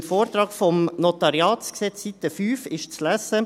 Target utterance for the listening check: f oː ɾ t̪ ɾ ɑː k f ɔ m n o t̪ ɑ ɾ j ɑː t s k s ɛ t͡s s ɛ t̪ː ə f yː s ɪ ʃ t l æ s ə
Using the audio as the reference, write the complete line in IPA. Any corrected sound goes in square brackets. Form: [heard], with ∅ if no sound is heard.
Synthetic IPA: f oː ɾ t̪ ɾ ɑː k f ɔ m n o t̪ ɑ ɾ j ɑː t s k s ɛ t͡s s [i] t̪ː ə f yː [f] ɪ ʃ [t͡s] l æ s ə